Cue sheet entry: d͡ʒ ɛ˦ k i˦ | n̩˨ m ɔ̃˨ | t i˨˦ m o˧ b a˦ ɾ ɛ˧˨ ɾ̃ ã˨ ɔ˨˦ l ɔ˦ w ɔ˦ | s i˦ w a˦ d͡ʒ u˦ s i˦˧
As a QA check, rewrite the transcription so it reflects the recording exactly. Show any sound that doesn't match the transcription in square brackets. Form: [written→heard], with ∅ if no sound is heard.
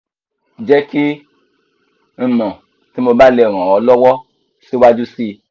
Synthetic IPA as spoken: d͡ʒ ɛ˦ k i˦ | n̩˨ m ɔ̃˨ | t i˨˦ m o˧ b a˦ [ɾ→l] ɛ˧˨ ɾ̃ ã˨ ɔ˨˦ l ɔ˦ w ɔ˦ | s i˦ w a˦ d͡ʒ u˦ s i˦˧